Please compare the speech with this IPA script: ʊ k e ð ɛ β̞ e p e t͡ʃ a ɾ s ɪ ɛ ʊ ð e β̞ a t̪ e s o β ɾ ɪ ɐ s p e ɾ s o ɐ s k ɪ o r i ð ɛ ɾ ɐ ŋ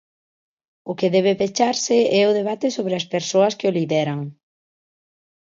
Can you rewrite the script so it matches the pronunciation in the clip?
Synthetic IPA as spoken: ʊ k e ð ɛ β̞ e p e t͡ʃ a ɾ s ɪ ɛ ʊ ð e β̞ a t̪ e s o β ɾ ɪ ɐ s p e ɾ s o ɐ s k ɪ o l i ð ɛ ɾ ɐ ŋ